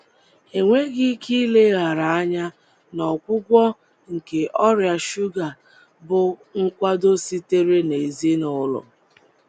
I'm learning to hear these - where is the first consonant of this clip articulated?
velum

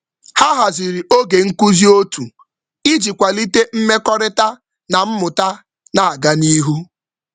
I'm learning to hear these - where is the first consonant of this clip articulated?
throat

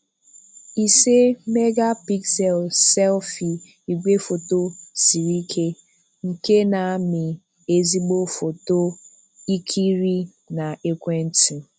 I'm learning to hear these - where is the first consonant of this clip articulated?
tongue tip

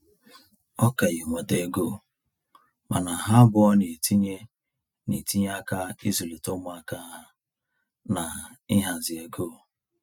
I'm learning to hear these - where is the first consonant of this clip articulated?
velum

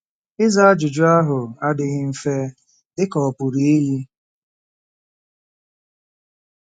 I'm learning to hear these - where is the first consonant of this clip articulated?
tongue tip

